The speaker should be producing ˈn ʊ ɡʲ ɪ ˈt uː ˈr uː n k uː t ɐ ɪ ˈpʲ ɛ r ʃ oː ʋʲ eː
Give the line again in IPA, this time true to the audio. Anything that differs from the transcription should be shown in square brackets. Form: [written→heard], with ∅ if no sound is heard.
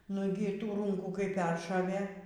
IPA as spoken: ˈn ʊ ɡʲ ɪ ˈt uː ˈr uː [n→ŋ] k uː [t→k] ɐ ɪ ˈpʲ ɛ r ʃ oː ʋʲ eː